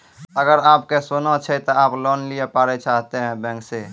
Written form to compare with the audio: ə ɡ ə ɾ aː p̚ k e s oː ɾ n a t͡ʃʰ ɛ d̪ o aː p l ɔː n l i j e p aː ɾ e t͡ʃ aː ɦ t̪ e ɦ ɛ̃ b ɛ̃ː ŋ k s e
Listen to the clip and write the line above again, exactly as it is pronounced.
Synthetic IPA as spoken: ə ɡ ə ɾ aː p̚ k e s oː n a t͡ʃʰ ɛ t̪ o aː p l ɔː n l i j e p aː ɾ e t͡ʃ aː ɦ t̪ e ɦ ɛ̃ b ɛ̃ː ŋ k s e